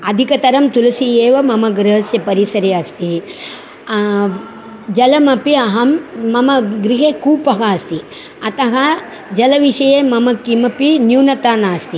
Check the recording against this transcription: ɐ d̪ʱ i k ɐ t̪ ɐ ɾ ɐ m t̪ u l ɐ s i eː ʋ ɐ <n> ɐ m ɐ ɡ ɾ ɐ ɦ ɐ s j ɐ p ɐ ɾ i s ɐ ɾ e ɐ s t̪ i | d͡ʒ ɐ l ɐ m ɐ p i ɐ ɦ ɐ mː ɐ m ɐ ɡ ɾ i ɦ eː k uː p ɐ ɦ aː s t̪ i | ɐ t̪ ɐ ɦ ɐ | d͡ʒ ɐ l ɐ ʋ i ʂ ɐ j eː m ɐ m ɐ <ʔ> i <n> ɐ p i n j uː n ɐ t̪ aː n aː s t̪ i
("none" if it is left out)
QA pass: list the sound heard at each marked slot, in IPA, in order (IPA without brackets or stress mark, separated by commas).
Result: m, k, m